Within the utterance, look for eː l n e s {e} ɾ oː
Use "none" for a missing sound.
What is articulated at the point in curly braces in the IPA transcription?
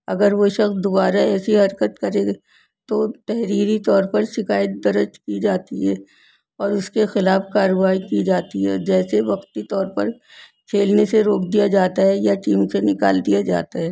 e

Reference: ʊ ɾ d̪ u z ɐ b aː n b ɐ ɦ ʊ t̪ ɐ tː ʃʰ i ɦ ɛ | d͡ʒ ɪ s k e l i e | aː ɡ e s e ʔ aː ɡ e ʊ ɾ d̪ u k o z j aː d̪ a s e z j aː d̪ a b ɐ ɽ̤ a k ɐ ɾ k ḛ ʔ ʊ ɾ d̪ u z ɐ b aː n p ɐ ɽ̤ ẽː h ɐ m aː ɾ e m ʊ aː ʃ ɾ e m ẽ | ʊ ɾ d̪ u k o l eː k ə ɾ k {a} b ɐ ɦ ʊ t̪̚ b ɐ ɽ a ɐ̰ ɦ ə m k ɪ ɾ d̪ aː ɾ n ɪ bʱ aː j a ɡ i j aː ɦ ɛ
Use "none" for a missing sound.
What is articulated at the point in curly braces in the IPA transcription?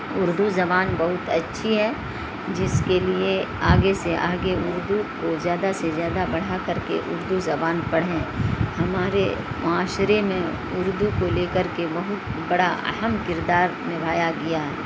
e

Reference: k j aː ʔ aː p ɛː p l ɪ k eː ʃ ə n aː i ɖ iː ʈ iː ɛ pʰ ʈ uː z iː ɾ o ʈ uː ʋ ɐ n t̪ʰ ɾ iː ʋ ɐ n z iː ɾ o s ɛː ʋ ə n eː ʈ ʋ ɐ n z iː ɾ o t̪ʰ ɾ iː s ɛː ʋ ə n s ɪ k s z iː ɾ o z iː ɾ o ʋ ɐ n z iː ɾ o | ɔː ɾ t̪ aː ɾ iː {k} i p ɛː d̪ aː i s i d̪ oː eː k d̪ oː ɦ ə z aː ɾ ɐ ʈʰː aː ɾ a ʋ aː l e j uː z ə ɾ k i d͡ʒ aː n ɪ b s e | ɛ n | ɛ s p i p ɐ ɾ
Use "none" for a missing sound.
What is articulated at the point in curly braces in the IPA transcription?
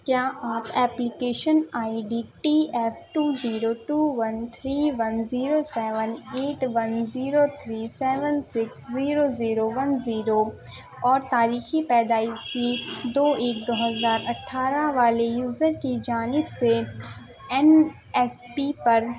x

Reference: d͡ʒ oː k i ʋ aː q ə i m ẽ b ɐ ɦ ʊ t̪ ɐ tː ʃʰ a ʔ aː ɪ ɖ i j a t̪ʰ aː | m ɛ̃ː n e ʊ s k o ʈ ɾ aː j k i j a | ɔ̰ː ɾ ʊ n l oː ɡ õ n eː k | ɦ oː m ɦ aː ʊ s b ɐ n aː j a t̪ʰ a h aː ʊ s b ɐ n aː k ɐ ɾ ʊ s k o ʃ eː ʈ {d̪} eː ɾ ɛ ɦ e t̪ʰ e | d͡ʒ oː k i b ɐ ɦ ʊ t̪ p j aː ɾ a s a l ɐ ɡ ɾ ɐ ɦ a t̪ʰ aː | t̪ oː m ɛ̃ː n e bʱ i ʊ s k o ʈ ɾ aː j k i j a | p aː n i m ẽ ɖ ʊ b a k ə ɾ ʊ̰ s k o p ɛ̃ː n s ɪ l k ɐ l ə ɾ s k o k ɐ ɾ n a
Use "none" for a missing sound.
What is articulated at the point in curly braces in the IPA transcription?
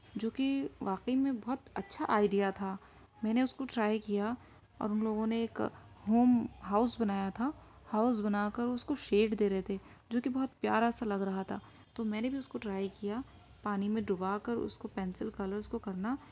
d̪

